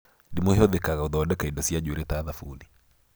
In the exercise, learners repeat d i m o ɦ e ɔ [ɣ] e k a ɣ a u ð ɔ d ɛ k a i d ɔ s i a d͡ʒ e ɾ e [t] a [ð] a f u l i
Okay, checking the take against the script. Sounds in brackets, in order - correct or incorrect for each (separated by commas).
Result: incorrect, correct, correct